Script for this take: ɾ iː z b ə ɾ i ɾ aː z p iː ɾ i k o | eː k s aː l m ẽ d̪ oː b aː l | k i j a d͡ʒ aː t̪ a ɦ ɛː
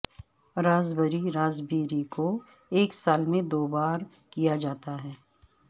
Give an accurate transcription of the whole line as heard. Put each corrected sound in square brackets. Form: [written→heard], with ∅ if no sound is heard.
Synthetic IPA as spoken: ɾ [iː→aː] z b ə ɾ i ɾ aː z [p→b] iː ɾ i k o | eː k s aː l m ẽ d̪ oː b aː [l→ɾ] | k i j a d͡ʒ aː t̪ a ɦ ɛː